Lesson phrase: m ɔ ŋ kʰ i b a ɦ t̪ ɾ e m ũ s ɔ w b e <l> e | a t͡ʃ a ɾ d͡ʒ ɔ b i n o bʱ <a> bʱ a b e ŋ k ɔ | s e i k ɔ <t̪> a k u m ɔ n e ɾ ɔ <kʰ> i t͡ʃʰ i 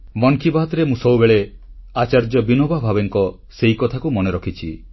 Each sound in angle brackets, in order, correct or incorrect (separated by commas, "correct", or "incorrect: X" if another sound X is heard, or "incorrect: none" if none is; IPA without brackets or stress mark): incorrect: ɭ, correct, incorrect: t̪ʰ, correct